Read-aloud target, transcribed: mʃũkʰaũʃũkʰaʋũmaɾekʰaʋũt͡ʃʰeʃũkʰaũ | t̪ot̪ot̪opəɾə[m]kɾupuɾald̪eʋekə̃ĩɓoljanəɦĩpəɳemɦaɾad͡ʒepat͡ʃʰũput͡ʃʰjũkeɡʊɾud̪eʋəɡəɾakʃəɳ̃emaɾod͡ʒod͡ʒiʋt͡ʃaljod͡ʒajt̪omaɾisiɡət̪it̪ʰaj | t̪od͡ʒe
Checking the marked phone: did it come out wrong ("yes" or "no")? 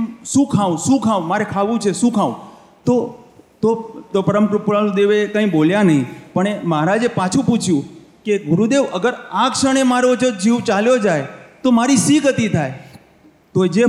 no